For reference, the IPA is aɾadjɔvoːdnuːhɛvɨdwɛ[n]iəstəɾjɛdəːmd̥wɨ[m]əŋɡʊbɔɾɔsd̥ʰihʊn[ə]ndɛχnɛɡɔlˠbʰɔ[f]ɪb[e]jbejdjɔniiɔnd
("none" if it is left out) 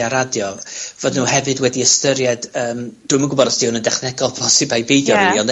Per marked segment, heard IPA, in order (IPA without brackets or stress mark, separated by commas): d, m, ə, s, a